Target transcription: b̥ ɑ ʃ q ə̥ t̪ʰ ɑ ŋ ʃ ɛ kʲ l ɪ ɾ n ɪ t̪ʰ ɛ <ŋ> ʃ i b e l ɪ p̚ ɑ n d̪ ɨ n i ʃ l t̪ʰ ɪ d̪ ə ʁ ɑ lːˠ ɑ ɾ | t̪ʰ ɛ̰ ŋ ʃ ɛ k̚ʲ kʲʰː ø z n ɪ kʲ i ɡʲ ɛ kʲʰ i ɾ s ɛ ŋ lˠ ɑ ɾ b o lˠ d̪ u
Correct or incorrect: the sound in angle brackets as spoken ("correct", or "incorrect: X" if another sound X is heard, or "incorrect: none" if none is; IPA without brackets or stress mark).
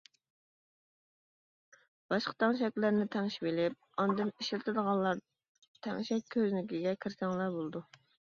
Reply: correct